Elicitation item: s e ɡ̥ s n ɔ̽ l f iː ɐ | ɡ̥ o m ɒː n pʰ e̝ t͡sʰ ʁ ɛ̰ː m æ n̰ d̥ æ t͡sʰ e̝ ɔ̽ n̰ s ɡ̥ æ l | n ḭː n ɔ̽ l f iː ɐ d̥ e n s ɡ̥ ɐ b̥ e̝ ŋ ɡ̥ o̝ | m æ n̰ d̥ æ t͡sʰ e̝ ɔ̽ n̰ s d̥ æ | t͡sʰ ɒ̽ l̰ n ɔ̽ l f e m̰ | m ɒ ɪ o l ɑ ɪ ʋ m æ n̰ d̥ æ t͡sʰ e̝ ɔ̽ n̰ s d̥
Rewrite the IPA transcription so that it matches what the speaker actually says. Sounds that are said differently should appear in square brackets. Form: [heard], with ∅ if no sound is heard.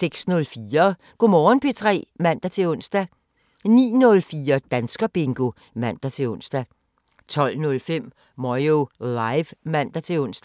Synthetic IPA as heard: s e ɡ̥ s n ɔ̽ l f iː ɐ | ɡ̥ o m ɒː n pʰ e̝ t͡sʰ ʁ ɛ̰ː m æ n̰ d̥ æ t͡sʰ e̝ ɔ̽ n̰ s [d̥] æ [∅] | n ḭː n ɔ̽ l f iː ɐ d̥ [æ] n s ɡ̥ ɐ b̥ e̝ ŋ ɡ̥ o̝ | m æ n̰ d̥ æ t͡sʰ e̝ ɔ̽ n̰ s d̥ æ | t͡sʰ ɒ̽ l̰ n ɔ̽ l f e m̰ | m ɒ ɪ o l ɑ ɪ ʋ m æ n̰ d̥ æ t͡sʰ e̝ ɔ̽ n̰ s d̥